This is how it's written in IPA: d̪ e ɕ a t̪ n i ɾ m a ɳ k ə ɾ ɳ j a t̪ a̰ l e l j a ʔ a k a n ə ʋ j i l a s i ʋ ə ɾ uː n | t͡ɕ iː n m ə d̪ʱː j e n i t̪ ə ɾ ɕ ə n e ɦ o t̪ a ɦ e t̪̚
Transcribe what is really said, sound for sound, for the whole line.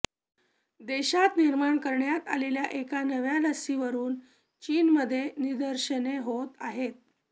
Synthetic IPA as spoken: d̪ e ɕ a t̪ n i ɾ m a ɳ k ə ɾ ɳ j a t̪ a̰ l e l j a ʔ e k a n ə ʋ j a l ə s i ʋ ə ɾ uː n | t͡ɕ iː n m ə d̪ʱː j e n i d̪ ə ɾ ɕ ə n e ɦ o t̪ a ɦ e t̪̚